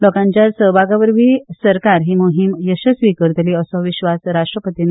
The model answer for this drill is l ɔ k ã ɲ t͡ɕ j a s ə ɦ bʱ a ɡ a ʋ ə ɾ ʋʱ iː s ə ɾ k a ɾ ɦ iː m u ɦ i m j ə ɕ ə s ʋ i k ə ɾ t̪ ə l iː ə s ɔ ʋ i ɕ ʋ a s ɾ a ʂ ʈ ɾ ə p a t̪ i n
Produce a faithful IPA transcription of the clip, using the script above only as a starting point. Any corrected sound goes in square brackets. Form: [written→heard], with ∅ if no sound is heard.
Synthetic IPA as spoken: l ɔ k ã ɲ t͡ɕ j a s ə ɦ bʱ a ɡ a ʋ ə ɾ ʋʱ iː s ə ɾ k a ɾ ɦ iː m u ɦ i m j ə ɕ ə s ʋ i k ə ɾ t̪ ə l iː ə s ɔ ʋ i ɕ ʋ a s ɾ a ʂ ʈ ɾ ə p [a→ə] t̪ i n